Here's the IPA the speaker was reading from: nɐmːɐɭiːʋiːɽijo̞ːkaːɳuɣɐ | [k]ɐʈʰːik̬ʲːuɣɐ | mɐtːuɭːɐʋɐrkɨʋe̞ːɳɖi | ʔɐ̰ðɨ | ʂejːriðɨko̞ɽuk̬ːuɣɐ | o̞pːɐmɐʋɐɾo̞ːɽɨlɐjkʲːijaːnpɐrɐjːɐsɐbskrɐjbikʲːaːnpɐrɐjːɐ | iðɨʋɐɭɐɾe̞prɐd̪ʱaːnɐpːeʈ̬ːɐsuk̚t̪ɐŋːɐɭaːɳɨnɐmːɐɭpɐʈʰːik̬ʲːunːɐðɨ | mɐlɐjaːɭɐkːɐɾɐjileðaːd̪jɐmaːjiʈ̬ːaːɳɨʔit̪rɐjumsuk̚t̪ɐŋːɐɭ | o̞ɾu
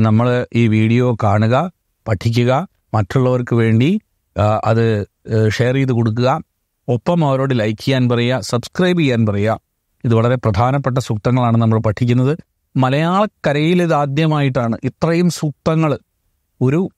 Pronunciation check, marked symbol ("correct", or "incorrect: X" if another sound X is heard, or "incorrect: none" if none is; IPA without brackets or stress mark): incorrect: p